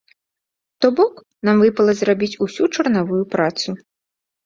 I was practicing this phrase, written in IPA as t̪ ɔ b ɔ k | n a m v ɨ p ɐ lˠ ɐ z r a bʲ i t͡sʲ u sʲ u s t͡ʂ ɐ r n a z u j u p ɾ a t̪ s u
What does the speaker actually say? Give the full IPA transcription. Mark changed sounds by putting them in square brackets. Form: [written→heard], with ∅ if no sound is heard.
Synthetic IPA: t̪ ɔ b ɔ k | n a m v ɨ p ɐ lˠ ɐ z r a bʲ i t͡sʲ u sʲ u [s→∅] t͡ʂ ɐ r n a [z→v] u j u p ɾ a t̪ s u